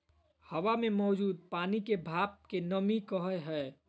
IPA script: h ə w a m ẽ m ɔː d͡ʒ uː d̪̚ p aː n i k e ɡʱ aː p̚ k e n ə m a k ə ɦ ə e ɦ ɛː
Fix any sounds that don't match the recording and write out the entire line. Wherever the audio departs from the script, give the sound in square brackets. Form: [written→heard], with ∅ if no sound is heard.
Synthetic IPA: h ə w a m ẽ m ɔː d͡ʒ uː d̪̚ p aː n i k e [ɡʱ→bʱ] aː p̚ k e n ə m [a→i] k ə ɦ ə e ɦ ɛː